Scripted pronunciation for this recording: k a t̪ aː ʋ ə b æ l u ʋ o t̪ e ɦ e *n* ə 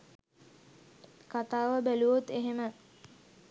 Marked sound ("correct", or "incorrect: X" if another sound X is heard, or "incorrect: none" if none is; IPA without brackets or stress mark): incorrect: m